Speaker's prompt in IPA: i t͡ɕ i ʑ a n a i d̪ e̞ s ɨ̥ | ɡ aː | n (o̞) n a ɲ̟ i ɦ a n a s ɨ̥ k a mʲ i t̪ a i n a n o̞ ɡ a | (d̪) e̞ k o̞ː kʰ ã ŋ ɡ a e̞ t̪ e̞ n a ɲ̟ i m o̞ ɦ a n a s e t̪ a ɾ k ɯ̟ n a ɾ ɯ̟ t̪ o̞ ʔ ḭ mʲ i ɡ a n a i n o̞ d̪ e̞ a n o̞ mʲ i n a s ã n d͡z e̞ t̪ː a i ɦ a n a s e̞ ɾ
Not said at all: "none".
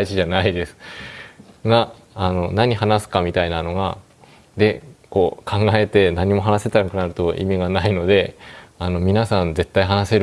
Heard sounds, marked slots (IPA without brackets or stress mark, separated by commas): o̞, d̪